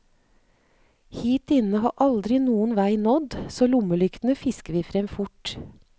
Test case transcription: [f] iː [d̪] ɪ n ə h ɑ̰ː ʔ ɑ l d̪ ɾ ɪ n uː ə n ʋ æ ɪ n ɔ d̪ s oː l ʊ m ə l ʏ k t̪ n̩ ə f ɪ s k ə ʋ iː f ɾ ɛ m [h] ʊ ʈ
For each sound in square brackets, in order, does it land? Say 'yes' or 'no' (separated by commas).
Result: no, no, no